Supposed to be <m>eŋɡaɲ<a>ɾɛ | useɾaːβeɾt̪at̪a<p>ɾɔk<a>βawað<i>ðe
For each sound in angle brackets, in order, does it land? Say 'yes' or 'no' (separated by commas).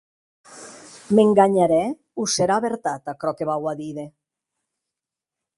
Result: yes, yes, no, no, yes